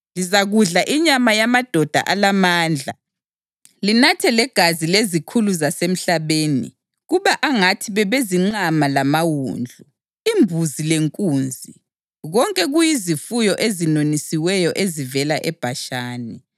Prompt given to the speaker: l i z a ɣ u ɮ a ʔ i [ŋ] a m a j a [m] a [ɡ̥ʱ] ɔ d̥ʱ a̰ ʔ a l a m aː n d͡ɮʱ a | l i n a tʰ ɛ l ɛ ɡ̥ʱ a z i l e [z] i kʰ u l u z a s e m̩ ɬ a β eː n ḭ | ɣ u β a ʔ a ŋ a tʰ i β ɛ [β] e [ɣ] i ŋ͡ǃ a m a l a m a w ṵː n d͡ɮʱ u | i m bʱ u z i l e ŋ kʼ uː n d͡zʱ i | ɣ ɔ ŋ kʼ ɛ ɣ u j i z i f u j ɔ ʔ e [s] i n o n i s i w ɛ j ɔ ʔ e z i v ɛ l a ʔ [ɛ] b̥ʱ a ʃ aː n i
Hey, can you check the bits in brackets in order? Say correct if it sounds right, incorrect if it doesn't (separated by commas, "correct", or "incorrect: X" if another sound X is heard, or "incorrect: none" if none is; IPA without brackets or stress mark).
incorrect: ɲ, correct, incorrect: d̥ʱ, correct, correct, incorrect: z, incorrect: z, correct